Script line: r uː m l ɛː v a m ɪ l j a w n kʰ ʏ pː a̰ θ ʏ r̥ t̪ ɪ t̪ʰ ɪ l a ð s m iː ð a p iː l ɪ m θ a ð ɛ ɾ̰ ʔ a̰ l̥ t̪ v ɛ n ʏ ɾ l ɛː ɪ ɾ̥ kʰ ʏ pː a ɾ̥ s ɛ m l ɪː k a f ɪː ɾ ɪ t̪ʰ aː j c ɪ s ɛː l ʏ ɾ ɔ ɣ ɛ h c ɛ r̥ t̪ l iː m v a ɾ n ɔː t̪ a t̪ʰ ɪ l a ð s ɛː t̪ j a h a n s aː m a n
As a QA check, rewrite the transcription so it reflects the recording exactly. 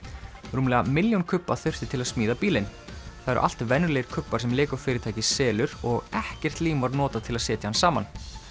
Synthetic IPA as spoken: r uː m l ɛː ɣ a m ɪ l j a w n kʰ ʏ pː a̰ θ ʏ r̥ t̪ ɪ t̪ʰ ɪ l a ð s m iː ð a p iː l ɪ n θ a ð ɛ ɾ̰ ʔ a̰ l̥ t̪ v ɛ n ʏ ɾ l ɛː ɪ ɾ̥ kʰ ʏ pː a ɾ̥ s ɛ m l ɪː k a f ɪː ɾ ɪ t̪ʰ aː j c ɪ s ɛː l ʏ ɾ ɔ ɣ ɛ h c ɛ r̥ t̪ l iː m v a ɾ n ɔː t̪ a t̪ʰ ɪ l a ð s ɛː t̪ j a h a n s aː m a n